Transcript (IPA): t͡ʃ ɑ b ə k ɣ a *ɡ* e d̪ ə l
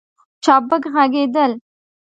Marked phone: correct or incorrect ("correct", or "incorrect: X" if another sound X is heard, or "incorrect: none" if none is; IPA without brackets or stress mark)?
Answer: correct